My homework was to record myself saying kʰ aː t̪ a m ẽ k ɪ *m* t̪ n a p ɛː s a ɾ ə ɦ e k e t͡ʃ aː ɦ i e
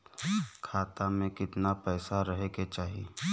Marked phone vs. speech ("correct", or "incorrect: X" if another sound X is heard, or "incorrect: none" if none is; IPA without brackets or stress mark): incorrect: none